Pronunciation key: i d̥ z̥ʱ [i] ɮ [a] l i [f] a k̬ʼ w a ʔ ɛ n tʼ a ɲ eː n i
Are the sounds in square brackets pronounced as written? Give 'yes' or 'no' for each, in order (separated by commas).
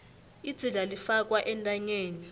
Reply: yes, yes, yes